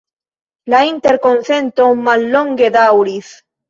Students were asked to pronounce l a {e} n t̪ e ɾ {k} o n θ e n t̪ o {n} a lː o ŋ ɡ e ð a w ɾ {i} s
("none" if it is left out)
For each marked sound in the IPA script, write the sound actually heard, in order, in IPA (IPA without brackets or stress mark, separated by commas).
i, k, m, i